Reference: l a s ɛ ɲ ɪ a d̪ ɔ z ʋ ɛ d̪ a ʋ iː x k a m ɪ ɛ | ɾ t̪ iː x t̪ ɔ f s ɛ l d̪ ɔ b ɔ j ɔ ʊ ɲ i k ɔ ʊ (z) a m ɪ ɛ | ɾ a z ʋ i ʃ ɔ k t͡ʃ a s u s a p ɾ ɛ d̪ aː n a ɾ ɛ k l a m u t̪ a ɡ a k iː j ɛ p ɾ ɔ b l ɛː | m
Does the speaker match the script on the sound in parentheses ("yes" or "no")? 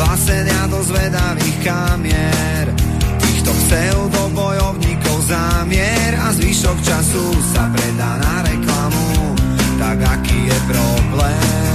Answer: yes